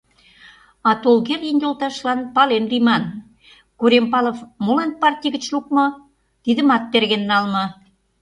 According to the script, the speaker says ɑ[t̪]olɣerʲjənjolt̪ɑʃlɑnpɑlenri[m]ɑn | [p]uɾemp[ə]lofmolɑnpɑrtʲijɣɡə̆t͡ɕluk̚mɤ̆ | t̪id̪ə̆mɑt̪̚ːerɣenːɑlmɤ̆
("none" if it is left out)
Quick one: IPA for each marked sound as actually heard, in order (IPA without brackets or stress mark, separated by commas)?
t̪, m, k, ɑ